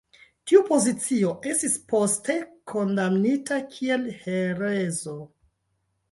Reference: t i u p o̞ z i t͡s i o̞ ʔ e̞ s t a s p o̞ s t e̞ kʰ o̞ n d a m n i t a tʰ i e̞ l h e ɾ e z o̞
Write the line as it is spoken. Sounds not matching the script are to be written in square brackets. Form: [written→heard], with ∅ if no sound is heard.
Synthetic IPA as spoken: t i u p o̞ z i t͡s i o̞ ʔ e̞ s t [a→i] s p o̞ s t e̞ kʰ o̞ n d a m n i t a [tʰ→kʰ] i e̞ l h e ɾ e z o̞